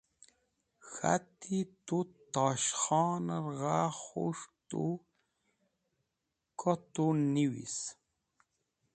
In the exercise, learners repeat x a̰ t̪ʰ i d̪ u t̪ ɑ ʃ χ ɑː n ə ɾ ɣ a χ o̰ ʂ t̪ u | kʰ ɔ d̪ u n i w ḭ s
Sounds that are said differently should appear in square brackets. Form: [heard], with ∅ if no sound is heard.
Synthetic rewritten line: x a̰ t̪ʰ i [t̪] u t̪ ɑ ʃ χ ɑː n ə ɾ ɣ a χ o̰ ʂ t̪ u | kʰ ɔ [t̪] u n i w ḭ s